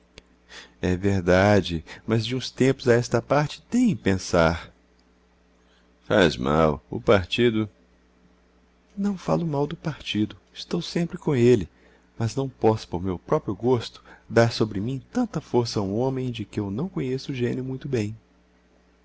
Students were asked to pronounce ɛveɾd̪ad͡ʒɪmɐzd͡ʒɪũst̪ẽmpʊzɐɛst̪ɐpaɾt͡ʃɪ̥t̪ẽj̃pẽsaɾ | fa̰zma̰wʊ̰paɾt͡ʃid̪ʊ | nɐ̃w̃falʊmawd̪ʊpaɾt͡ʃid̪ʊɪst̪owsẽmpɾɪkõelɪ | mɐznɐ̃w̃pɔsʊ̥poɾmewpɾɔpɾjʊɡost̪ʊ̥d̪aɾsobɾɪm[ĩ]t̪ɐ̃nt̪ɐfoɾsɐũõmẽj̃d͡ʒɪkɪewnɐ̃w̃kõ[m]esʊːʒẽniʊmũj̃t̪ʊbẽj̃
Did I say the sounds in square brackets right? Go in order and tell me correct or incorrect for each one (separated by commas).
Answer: correct, incorrect